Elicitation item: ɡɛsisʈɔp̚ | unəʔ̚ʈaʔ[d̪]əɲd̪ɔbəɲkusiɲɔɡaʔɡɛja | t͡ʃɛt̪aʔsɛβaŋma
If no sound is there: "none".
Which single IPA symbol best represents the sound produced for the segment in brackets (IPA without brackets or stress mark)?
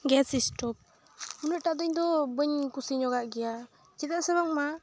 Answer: d̪